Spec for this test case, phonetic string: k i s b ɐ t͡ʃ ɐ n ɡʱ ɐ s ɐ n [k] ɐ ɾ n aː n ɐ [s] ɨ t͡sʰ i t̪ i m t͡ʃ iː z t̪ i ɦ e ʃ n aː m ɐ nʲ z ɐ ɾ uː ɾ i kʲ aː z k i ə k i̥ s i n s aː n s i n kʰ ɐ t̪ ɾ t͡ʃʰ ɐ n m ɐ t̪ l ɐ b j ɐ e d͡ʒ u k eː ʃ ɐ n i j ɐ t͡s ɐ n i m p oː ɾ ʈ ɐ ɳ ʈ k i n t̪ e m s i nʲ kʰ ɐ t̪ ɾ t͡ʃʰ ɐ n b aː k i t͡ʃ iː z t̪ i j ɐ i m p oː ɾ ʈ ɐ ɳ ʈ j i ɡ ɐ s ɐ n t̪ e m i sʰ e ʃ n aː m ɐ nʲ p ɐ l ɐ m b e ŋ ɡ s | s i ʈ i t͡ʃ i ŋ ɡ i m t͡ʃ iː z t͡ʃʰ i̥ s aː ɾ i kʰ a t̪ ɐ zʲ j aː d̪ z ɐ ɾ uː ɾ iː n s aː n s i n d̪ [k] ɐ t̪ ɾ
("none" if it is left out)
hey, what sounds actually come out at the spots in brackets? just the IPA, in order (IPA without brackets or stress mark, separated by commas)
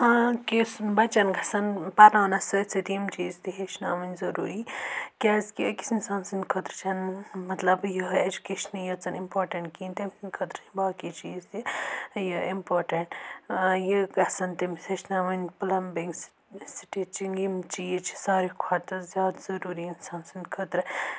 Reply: p, s, kʰ